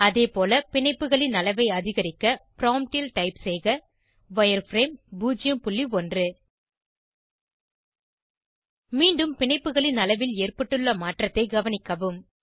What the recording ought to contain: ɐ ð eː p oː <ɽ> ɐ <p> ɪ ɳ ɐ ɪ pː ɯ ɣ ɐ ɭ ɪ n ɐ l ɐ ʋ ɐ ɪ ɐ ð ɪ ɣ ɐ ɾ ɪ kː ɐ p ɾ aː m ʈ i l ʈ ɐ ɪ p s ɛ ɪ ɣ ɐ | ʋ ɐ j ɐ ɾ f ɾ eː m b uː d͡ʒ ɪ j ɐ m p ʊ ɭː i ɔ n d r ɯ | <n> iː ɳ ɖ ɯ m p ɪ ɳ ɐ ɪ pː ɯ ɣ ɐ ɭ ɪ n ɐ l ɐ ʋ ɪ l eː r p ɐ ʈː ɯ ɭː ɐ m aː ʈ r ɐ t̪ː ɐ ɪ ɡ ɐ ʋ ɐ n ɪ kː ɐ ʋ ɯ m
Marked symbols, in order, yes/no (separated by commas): no, yes, no